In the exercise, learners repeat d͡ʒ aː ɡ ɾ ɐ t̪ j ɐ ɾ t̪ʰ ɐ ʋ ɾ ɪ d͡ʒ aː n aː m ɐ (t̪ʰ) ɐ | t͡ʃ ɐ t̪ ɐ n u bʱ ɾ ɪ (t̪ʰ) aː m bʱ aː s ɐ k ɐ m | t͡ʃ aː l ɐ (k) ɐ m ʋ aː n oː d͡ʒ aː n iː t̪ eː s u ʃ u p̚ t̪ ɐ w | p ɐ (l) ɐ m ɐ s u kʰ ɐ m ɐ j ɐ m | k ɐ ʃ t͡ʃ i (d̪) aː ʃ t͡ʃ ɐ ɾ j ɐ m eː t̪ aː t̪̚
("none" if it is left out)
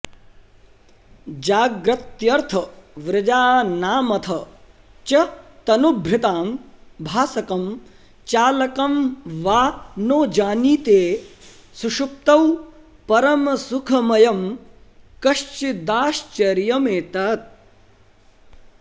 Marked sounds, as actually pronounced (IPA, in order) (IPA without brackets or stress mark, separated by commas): t̪ʰ, t̪, k, ɾ, d̪